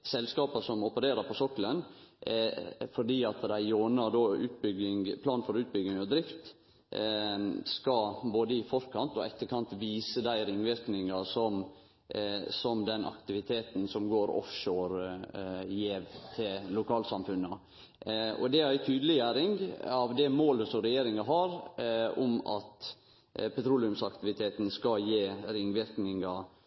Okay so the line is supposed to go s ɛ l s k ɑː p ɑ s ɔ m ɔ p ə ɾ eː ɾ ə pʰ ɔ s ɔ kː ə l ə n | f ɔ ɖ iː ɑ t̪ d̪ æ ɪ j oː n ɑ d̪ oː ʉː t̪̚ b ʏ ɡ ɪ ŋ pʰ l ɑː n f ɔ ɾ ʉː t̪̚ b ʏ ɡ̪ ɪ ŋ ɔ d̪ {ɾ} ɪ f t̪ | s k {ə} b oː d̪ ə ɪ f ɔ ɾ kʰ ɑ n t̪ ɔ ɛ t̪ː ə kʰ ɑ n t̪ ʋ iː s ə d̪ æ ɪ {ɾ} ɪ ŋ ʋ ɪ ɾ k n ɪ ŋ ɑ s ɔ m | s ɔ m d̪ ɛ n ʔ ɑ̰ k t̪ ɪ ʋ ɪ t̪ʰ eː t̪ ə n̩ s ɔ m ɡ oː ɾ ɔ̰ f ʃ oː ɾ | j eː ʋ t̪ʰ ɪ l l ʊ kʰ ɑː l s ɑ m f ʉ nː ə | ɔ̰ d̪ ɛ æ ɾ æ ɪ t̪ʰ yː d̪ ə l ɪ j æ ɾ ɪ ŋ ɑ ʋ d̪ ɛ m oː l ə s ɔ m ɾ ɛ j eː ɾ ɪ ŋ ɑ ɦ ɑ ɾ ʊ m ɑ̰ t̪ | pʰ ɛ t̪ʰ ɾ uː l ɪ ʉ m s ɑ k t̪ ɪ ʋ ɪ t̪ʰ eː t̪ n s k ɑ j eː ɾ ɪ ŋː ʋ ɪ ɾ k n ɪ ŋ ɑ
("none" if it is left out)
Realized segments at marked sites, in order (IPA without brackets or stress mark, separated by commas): ɾ, ɑ, ɾ